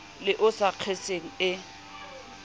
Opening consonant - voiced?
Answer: yes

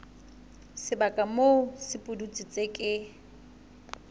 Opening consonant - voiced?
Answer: no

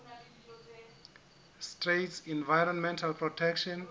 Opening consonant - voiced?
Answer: no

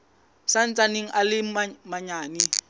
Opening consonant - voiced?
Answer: no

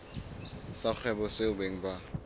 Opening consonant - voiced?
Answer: no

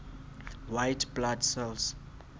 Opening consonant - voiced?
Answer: yes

